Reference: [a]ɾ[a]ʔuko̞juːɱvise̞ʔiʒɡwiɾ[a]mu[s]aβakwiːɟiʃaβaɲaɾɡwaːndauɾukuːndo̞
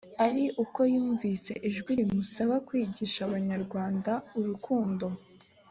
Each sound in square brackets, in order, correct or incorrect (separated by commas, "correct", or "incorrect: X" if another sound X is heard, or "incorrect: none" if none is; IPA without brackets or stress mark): correct, incorrect: i, incorrect: i, correct